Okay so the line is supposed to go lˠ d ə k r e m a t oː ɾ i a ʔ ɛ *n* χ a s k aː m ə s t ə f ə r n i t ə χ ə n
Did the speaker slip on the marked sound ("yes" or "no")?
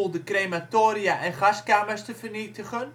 no